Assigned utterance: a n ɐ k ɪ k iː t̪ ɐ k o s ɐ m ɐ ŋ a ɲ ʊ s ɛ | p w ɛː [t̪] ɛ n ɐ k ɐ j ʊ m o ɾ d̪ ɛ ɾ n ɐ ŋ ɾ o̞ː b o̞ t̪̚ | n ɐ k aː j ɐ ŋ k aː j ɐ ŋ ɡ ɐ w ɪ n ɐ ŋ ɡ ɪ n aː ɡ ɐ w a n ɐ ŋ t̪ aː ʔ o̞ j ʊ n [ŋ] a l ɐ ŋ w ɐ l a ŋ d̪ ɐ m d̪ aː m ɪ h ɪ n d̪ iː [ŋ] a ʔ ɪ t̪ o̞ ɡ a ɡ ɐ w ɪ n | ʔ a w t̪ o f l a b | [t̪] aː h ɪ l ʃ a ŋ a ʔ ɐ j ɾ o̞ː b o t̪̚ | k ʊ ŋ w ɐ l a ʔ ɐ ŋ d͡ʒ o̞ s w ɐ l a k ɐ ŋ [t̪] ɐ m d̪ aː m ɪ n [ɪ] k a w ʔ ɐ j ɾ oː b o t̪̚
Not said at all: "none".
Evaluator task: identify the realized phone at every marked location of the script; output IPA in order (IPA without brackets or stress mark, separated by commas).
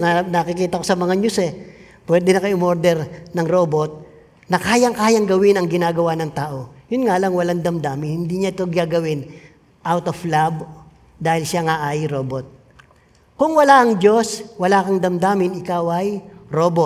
d̪, ŋ, ɲ, d̪, d̪, ɪ